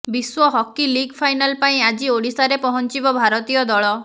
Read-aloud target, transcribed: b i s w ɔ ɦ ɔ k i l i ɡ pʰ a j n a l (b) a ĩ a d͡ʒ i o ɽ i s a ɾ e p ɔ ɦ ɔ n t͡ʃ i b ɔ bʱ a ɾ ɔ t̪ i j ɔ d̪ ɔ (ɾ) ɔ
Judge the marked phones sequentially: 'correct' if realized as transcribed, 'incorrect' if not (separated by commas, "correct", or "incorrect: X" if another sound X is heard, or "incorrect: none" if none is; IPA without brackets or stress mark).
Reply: incorrect: p, incorrect: ɭ